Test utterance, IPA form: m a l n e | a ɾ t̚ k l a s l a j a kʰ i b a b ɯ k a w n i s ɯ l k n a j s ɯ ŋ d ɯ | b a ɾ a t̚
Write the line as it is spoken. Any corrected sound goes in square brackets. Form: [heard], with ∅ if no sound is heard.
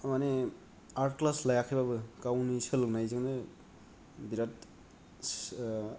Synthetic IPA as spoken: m a [∅] n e | a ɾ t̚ k l a s l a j a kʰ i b a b ɯ k a w n i s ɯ l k n a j [z] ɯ ŋ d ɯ | b [i] ɾ a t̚